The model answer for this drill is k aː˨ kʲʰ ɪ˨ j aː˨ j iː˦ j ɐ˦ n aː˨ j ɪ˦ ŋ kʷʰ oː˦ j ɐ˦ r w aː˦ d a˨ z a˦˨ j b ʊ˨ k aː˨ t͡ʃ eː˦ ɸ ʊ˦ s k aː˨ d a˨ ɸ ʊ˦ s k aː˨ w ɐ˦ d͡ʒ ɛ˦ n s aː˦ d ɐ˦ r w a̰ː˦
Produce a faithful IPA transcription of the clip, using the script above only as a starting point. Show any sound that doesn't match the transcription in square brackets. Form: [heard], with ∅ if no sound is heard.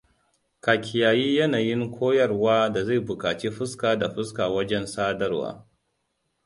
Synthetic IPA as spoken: k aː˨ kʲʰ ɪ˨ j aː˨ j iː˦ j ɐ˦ n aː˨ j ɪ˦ ŋ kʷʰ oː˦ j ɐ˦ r w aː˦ d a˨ z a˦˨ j b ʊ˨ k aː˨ t͡ʃ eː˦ ɸ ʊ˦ s k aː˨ d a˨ ɸ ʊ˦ s k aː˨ w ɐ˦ d͡ʒ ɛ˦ n s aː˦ d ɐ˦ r w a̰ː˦